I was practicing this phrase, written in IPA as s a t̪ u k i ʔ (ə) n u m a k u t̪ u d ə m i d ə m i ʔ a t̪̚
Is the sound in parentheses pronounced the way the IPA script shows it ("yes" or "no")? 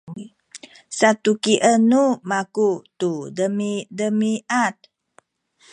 yes